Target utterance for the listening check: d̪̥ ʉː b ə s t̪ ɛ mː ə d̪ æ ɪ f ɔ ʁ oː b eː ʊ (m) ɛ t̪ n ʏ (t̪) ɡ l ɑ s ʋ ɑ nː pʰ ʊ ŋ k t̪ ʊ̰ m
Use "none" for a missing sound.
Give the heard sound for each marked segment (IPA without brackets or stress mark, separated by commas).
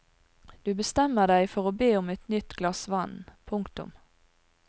m, t̪